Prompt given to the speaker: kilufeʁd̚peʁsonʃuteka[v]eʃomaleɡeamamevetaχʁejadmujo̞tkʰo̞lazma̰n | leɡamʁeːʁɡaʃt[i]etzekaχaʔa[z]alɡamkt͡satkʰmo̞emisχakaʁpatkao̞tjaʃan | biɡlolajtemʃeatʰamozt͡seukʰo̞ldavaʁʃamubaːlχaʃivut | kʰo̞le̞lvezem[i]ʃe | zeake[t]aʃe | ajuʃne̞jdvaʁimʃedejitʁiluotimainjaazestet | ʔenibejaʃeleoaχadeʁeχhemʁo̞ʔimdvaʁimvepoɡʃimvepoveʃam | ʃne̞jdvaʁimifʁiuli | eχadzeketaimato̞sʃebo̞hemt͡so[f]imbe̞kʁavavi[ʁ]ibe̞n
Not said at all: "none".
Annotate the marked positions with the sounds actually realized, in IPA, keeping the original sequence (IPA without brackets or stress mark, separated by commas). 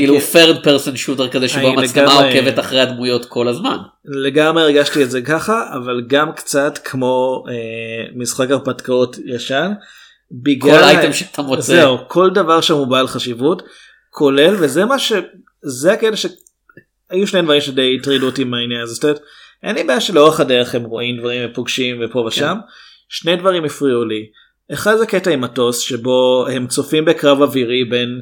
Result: z, i, v, a, t, f, ʁ